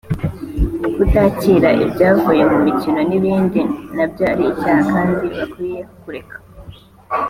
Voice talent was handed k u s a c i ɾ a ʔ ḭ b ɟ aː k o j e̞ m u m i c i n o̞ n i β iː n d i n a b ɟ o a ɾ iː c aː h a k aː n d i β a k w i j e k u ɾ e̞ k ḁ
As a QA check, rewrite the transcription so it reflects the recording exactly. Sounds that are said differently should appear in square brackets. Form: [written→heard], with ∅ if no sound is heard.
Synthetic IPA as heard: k u [s→t] a c i ɾ a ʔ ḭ b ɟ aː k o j e̞ m u m i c i n o̞ n i β iː n d i n a b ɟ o a ɾ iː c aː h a k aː n d i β a k w i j e k u ɾ e̞ k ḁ